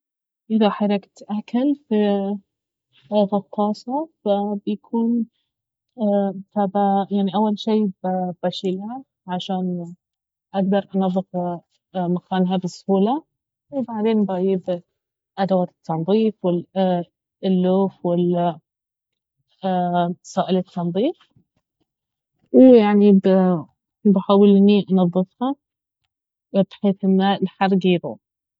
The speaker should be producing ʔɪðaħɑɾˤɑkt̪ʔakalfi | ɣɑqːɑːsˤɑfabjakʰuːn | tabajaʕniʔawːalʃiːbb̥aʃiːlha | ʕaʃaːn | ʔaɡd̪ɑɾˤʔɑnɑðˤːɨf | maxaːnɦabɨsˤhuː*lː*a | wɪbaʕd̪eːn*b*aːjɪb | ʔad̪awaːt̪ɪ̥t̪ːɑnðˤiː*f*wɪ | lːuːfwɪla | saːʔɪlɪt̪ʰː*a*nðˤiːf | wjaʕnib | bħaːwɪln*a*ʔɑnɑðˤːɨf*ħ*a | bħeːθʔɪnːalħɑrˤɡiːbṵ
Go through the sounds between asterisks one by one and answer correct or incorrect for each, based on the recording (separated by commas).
incorrect, correct, correct, incorrect, incorrect, incorrect